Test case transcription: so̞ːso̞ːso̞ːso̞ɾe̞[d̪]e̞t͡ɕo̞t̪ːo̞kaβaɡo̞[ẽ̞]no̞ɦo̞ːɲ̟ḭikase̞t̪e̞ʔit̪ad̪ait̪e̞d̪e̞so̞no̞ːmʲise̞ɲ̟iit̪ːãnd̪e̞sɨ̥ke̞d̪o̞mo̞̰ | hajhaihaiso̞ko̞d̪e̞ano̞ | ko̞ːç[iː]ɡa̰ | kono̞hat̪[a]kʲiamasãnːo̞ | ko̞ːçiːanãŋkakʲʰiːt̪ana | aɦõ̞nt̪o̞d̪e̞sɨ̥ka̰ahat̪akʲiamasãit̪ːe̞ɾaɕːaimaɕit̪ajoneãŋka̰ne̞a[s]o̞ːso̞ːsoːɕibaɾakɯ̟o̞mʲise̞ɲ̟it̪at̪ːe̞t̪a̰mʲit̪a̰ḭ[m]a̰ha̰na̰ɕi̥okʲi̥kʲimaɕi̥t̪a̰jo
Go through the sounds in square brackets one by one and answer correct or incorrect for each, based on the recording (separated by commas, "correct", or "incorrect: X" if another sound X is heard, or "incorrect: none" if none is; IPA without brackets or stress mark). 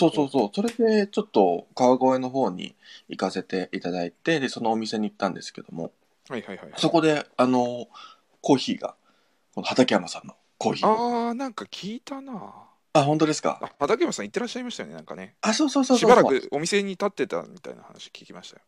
correct, incorrect: e̞, correct, correct, correct, incorrect: n